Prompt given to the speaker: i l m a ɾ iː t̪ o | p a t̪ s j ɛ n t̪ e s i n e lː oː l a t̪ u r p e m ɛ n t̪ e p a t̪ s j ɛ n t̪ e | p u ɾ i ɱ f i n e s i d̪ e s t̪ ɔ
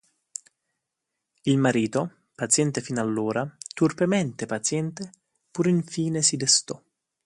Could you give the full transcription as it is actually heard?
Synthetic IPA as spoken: i l m a ɾ iː t̪ o | p a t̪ s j ɛ n t̪ e f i n a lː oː ɾ a t̪ u r p e m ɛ n t̪ e p a t̪ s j ɛ n t̪ e | p u ɾ i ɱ f iː n e s i d̪ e s t̪ ɔ